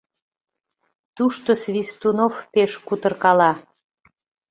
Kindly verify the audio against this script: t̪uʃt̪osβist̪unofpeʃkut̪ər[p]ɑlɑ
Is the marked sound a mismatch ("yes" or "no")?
yes